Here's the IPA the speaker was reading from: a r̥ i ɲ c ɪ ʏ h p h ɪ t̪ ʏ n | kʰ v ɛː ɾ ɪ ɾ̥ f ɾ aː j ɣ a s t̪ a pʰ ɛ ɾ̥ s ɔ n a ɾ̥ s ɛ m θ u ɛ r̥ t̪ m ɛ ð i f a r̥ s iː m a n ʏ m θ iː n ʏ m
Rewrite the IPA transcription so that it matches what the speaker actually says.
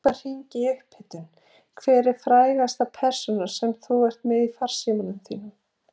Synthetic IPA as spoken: a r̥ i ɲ c ɪ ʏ h p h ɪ t̪ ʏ n | kʰ v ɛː ɾ ɪ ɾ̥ f ɾ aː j ɣ a s t̪ a pʰ ɛ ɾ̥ s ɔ n a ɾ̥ s ɛ m θ u ɛ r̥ t̪ m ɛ ð i f a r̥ s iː m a n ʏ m θ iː n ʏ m